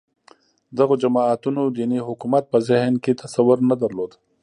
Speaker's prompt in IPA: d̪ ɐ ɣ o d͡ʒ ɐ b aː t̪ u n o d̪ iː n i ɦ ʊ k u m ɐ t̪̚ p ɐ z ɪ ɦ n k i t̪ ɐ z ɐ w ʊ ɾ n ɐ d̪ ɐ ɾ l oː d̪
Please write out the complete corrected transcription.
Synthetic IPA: d̪ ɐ ɣ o d͡ʒ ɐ m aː t̪ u n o d̪ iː n i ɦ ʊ k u m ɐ t̪̚ p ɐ z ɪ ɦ n k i t̪ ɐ s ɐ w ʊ ɾ n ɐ d̪ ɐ ɾ l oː d̪